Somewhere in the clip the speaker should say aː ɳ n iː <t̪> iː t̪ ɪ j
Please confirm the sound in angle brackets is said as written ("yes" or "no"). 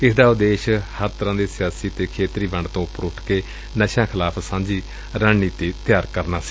yes